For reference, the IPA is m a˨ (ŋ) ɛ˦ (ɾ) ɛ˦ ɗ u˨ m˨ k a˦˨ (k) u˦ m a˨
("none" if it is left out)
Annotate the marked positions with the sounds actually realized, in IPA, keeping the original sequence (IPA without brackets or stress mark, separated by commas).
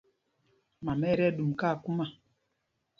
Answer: m, ɾ, k